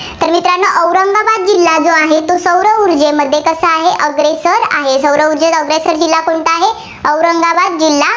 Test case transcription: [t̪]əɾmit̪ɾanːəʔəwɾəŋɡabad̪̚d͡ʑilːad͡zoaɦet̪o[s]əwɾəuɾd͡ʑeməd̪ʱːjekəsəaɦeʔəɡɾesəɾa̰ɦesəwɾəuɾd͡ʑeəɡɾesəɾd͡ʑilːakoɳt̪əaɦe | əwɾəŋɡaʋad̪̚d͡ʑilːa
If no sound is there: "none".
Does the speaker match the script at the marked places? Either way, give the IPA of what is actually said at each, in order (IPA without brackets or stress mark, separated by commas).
t̪, s